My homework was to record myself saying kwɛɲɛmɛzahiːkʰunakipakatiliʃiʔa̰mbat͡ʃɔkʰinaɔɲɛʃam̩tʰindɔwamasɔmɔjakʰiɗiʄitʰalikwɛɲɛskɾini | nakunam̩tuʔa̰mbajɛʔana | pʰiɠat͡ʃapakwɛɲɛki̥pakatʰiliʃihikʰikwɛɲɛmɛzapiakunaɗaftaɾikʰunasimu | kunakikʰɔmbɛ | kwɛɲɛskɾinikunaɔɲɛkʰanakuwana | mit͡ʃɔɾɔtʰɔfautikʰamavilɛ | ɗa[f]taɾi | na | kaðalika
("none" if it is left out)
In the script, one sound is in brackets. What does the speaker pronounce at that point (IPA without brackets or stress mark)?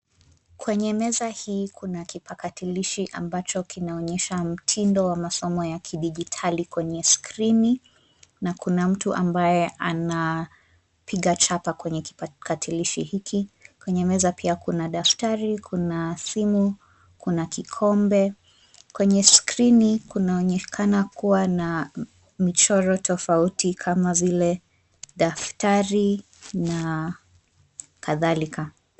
f